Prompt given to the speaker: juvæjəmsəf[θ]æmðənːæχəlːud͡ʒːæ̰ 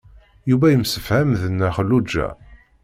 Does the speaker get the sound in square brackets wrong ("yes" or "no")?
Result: yes